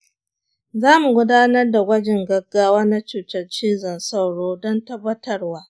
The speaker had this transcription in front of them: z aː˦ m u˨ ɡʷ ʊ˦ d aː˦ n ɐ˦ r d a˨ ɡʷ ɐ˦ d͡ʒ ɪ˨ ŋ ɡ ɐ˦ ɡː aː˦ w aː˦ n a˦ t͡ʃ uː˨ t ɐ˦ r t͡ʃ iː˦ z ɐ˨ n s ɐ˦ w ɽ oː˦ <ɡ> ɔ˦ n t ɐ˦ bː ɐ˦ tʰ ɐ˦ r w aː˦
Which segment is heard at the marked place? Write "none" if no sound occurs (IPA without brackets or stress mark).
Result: d